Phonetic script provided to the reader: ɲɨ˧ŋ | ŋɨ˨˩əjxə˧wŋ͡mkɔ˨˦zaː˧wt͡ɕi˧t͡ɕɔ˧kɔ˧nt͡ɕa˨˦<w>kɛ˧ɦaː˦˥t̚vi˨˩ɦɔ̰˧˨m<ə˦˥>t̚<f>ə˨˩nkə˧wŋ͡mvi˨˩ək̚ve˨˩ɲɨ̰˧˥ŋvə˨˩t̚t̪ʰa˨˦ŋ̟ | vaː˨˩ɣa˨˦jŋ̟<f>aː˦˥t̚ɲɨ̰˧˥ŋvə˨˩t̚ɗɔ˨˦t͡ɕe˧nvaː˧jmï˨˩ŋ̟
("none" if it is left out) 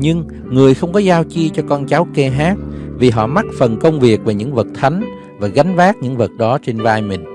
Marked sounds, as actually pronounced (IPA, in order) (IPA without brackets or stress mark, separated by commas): w, a˦˥, f, v